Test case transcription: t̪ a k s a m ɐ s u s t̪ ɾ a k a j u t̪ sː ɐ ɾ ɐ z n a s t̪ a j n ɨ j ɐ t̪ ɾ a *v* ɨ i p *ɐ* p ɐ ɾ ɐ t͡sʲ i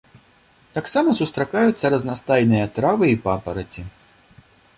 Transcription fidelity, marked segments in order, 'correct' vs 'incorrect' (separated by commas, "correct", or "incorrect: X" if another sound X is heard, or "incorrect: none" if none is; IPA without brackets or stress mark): correct, incorrect: a